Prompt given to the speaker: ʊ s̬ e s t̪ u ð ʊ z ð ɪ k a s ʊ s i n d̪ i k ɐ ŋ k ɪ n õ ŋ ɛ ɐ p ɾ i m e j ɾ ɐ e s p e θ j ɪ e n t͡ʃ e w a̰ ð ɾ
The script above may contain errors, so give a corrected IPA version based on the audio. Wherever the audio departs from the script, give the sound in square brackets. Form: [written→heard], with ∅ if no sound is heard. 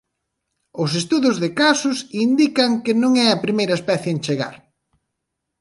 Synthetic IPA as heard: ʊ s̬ e s t̪ u ð ʊ z ð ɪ k a s ʊ s i n d̪ i k ɐ ŋ k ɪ n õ ŋ ɛ ɐ p ɾ i m e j ɾ ɐ e s p [e→ɛ] θ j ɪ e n t͡ʃ e [w→ɣ] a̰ [ð→∅] ɾ